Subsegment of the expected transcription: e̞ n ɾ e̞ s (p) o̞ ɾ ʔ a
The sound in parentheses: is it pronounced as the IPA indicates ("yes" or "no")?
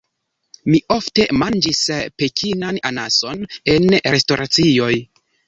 no